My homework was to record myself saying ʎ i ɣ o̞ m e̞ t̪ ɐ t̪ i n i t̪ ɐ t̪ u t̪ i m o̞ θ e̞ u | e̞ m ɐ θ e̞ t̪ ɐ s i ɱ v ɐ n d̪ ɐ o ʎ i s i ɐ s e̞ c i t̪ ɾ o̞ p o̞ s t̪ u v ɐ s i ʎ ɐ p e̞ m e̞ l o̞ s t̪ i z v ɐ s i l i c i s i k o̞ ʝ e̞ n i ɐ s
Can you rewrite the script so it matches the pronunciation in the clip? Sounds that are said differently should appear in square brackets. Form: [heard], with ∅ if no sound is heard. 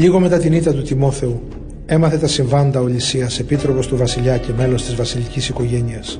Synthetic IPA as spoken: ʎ i ɣ o̞ m e̞ t̪ ɐ t̪ i n i t̪ ɐ t̪ u t̪ i m o̞ θ e̞ u | e̞ m ɐ θ e̞ t̪ ɐ s i ɱ v ɐ n d̪ ɐ o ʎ i s i ɐ s e̞ [p] i t̪ ɾ o̞ p o̞ s t̪ u v ɐ s i ʎ ɐ [c] e̞ m e̞ l o̞ s t̪ i z v ɐ s i l i c i s i k o̞ ʝ e̞ n i ɐ s